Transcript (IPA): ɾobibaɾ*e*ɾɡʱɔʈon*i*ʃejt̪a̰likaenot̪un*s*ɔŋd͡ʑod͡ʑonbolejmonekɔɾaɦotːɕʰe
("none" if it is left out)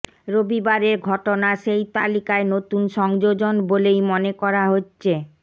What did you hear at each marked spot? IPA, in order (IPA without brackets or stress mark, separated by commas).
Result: e, a, ʃ